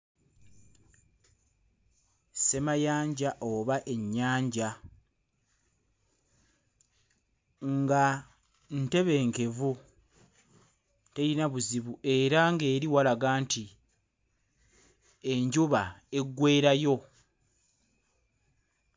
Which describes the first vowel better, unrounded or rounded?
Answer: unrounded